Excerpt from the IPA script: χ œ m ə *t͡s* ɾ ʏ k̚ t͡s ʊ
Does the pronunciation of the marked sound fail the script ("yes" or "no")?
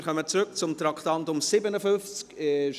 no